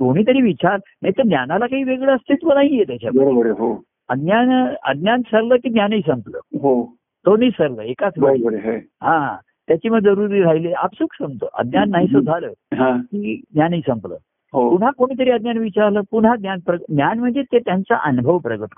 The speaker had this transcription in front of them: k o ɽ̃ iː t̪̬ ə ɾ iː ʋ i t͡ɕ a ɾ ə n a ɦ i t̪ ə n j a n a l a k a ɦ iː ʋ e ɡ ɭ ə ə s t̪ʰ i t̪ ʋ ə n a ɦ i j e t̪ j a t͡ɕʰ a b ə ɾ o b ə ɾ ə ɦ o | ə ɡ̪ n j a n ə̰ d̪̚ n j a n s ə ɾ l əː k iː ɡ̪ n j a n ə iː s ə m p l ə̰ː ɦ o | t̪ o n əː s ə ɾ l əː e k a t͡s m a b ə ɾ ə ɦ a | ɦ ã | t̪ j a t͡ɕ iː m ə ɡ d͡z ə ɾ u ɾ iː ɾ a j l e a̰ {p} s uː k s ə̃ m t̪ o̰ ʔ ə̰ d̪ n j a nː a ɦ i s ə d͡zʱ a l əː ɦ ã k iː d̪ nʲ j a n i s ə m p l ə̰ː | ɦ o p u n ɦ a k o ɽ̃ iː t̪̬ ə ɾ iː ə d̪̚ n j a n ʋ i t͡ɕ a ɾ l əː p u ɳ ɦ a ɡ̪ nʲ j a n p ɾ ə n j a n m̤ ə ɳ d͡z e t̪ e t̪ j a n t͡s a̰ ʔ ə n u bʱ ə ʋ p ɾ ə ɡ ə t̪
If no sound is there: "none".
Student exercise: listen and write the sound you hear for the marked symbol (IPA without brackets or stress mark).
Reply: p